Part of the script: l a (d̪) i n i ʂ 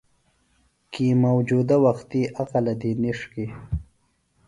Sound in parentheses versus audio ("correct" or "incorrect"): correct